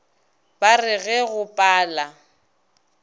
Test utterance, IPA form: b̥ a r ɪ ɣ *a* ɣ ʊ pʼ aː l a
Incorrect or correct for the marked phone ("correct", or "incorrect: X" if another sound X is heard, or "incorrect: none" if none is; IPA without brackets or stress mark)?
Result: incorrect: ɛ